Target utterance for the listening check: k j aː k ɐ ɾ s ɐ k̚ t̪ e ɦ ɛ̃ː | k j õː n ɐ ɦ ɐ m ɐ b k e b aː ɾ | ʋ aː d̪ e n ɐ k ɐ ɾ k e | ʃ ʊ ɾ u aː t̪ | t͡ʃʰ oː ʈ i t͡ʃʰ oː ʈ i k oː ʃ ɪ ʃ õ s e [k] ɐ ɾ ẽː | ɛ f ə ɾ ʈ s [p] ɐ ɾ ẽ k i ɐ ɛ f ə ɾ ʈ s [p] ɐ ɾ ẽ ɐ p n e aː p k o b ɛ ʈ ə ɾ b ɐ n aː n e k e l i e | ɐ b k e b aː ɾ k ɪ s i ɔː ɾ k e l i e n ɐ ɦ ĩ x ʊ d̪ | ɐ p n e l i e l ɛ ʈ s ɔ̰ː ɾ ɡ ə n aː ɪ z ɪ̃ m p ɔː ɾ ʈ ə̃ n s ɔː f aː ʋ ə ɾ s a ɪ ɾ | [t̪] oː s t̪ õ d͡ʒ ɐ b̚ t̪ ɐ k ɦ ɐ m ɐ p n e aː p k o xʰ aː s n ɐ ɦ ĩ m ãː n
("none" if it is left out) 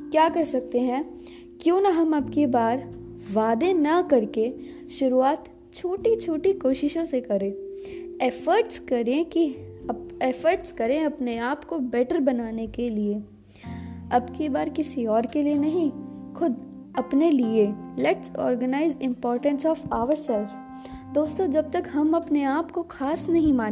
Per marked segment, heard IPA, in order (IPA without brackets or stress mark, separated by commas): k, k, k, d̪